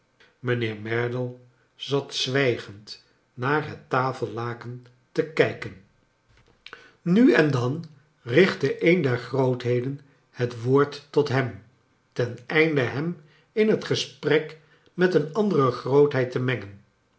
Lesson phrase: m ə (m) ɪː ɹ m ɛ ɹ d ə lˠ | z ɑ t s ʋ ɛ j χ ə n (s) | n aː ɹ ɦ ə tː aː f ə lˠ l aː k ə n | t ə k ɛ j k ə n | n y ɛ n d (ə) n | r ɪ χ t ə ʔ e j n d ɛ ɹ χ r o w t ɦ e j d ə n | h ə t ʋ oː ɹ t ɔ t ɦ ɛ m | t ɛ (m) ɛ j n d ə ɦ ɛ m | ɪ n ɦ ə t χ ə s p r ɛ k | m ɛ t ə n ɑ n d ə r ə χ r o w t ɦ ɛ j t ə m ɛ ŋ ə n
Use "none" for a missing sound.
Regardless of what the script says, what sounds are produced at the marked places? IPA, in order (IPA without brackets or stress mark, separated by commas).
n, t, ɑ, n